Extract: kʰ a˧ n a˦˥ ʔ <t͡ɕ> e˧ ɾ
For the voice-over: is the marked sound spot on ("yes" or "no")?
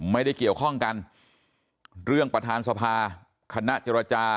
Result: yes